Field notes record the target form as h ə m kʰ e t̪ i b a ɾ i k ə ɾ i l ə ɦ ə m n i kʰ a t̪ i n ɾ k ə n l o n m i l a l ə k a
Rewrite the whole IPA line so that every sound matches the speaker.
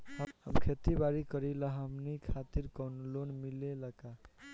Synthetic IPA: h ə m kʰ e t̪ i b a ɾ i k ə ɾ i l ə ɦ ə m n i kʰ a t̪ i ɾ k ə n l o n m i l e l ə k a